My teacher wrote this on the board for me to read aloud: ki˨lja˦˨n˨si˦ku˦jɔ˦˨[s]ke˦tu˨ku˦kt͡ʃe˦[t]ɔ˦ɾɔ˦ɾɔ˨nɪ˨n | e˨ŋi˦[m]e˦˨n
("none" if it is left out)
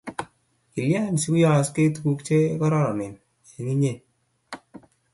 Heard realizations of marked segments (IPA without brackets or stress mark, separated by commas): s, k, ɲ